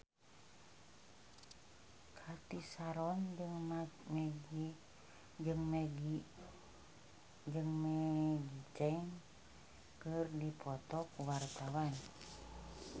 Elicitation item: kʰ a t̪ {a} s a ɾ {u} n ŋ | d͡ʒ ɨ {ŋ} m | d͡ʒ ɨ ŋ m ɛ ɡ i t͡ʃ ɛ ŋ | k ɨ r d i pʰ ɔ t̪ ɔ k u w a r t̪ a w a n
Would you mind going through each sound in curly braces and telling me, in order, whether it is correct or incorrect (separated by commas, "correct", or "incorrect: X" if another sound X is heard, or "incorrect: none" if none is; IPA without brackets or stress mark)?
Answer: incorrect: i, incorrect: ɔ, correct